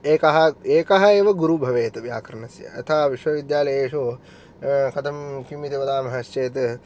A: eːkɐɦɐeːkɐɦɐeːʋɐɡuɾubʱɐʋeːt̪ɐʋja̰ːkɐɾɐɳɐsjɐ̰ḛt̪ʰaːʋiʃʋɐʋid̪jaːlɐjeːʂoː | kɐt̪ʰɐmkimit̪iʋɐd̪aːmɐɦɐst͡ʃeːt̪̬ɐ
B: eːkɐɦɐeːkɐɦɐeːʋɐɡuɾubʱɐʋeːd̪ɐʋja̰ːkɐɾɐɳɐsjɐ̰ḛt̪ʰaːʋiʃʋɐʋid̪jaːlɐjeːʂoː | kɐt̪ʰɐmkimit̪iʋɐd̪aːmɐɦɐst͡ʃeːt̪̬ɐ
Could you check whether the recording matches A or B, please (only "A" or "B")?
A